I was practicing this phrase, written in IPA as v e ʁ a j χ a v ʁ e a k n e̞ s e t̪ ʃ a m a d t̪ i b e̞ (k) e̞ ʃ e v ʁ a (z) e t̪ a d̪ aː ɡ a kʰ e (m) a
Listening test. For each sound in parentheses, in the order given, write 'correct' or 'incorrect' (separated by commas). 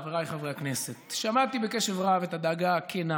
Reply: correct, incorrect, incorrect